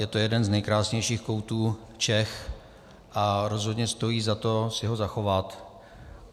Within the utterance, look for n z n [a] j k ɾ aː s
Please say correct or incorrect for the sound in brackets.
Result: incorrect